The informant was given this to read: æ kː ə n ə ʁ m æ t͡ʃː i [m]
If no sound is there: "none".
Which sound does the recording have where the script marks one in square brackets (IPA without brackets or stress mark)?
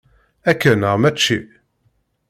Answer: none